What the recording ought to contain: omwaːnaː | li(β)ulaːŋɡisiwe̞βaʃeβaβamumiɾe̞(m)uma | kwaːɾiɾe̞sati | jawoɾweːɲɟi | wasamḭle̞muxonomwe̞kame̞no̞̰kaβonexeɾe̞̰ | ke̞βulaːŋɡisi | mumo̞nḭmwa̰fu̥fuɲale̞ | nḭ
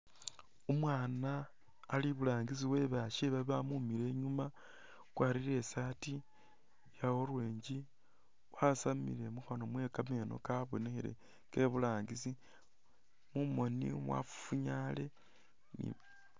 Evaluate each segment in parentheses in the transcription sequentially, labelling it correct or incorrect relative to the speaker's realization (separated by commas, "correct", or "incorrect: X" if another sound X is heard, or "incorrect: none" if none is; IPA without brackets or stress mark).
correct, incorrect: ɲ